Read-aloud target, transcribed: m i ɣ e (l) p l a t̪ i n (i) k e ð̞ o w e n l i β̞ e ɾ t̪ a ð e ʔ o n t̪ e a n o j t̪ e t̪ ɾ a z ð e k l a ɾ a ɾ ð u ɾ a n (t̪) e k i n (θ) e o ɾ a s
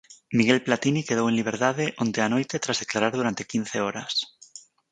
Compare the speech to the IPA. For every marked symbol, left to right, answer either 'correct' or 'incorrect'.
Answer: correct, correct, correct, correct

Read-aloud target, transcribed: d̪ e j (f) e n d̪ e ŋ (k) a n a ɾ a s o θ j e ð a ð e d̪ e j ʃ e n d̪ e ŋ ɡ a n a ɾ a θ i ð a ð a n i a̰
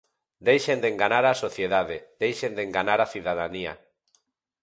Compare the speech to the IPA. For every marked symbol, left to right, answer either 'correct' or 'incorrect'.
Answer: incorrect, incorrect

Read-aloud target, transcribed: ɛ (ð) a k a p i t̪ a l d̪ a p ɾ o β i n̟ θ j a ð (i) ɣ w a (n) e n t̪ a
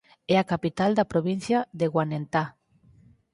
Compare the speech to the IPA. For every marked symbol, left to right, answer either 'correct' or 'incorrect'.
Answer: incorrect, incorrect, correct

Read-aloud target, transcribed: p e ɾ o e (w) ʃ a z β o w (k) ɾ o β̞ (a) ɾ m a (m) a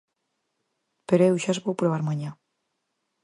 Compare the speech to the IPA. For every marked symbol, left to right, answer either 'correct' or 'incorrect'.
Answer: correct, incorrect, correct, incorrect

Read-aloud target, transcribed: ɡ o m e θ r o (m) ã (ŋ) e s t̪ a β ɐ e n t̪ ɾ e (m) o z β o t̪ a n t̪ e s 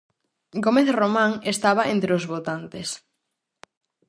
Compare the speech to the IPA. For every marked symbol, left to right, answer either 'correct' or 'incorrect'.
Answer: correct, correct, incorrect

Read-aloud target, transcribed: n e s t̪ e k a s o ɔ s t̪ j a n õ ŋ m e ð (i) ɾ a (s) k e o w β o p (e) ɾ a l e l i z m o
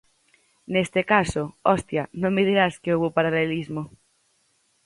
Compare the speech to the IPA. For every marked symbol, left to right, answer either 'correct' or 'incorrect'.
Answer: correct, correct, incorrect

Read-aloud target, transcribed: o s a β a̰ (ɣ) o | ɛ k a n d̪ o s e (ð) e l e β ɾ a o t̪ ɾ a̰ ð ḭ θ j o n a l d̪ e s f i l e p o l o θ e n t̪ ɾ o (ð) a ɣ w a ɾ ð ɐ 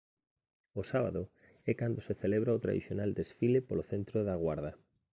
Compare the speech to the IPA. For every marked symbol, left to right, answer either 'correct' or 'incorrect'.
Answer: incorrect, incorrect, correct

